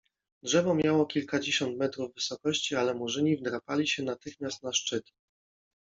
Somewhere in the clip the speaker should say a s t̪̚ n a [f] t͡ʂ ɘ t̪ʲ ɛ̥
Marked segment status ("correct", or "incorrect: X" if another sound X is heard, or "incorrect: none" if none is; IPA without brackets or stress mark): incorrect: ʂ